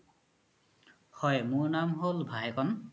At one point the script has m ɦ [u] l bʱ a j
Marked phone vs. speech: incorrect: o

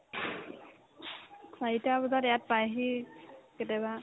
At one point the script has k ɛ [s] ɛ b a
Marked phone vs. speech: incorrect: t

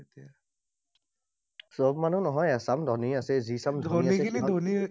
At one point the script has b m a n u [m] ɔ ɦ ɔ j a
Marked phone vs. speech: incorrect: n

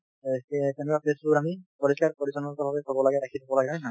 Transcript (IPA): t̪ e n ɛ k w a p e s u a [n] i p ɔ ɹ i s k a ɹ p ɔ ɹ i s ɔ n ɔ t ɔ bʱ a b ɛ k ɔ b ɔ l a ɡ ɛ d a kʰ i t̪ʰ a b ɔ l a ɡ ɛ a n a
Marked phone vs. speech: incorrect: m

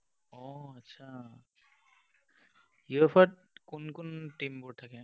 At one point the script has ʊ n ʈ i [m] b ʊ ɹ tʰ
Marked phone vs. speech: correct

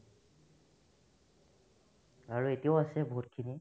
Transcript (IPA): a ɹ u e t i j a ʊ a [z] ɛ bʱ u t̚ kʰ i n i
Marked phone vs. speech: incorrect: s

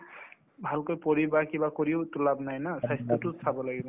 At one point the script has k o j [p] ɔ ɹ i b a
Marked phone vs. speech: correct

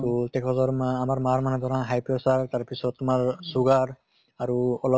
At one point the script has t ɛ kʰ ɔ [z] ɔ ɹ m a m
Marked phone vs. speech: correct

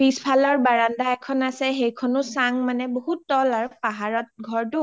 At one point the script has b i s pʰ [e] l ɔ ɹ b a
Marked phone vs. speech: incorrect: a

